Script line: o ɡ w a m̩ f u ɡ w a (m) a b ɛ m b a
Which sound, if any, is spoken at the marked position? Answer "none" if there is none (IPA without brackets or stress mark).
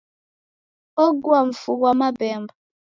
m